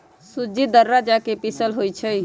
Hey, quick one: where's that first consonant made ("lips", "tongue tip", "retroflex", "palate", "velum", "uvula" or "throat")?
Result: tongue tip